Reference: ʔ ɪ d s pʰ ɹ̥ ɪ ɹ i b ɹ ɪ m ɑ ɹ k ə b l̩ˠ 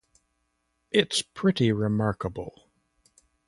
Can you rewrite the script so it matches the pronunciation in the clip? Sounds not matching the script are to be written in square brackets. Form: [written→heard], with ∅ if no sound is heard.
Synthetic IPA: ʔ ɪ [d→t] s pʰ ɹ̥ ɪ [ɹ→ɾ] i [b→∅] ɹ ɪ m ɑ ɹ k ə b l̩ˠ